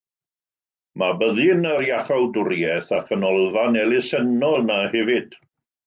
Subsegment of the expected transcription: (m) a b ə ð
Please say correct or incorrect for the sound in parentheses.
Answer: correct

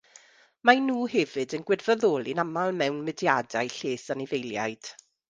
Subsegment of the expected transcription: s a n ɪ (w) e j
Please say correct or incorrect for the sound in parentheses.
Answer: incorrect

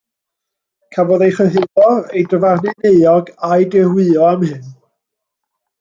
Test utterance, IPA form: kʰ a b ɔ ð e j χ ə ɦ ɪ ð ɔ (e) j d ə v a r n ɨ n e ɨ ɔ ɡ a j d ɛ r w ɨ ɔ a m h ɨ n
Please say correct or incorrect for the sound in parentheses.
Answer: correct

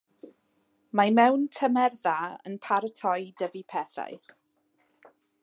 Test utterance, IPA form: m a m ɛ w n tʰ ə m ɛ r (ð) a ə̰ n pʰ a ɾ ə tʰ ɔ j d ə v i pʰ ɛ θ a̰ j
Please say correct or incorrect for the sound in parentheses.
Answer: correct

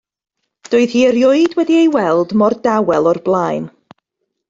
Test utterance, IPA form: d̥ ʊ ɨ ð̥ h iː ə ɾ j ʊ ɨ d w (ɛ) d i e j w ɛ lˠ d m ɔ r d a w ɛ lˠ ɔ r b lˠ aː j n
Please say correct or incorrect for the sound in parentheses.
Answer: correct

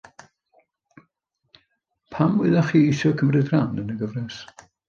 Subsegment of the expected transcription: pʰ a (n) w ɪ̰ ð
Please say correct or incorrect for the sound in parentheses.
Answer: incorrect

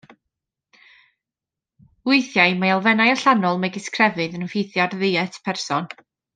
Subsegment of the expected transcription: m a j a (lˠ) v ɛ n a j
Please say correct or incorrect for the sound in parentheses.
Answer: correct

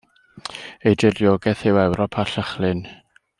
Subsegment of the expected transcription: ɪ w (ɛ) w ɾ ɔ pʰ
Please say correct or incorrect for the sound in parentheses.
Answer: correct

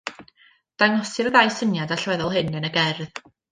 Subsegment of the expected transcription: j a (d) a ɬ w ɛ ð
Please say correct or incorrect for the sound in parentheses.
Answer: correct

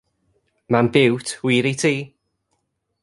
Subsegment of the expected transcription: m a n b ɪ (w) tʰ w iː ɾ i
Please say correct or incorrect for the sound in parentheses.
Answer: correct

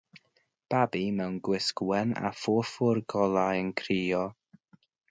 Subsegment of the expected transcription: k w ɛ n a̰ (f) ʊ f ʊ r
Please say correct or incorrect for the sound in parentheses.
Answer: correct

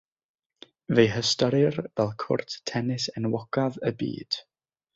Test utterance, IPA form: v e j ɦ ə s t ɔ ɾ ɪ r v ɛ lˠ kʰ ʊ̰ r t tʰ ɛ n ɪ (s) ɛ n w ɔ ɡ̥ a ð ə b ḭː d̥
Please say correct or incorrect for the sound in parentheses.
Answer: correct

